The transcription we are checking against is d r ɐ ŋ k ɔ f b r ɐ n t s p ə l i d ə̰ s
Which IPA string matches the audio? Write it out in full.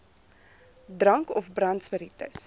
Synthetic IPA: d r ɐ ŋ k ɔ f b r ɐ n t s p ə ɾ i t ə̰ s

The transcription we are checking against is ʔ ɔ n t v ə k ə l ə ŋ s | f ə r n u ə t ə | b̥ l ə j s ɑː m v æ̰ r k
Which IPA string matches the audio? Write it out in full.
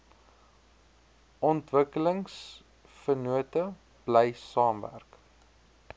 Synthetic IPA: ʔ ɔ n t v ə k ə l ə ŋ s | f ə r n u ə t ə | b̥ l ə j s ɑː m v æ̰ r k

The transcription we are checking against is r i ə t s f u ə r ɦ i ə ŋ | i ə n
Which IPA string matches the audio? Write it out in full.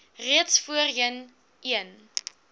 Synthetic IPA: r i ə t s f u ə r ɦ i ə n | i ə n

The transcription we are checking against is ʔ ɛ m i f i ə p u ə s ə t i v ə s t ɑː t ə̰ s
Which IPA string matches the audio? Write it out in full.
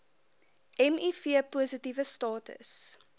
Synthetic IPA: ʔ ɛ m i f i ə p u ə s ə t i v ə s t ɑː t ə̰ s

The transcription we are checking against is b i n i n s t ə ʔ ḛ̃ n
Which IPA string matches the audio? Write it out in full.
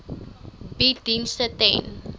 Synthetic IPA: b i d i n s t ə t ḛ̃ n

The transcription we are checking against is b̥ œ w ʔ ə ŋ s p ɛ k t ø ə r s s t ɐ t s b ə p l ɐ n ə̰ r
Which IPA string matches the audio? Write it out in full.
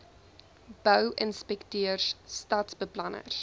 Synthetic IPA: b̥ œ w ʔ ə n s p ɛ k t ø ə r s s t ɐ t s b ə p l ɐ n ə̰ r

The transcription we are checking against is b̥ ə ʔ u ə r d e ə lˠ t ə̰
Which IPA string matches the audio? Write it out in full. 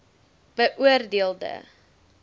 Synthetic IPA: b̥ ə ʔ u ə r d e ə lˠ d ə̰

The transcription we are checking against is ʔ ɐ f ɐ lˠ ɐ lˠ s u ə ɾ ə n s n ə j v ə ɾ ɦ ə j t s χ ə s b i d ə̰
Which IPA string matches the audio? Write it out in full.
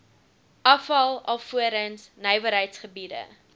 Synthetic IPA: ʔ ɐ f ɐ lˠ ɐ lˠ f u ə ɾ ə n s n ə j v ə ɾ ɦ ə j t s χ ə b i d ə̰

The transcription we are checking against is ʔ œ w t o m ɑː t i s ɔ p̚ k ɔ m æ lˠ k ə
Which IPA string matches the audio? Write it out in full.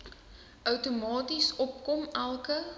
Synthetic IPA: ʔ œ w t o m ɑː t i s ɔ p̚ k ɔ m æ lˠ k ə

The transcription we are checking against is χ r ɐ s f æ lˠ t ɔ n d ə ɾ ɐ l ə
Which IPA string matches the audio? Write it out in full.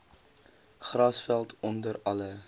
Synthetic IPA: χ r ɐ s f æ lˠ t ɔ n d ə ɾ ɐ l ə

